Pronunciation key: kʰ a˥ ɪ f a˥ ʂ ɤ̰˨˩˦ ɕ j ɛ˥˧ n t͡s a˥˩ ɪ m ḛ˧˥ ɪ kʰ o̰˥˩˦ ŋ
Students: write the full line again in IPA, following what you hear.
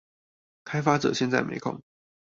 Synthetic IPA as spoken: kʰ a˥ ɪ f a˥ ʈ͡ʂ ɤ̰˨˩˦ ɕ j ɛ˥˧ n t͡s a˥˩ ɪ m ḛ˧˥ ɪ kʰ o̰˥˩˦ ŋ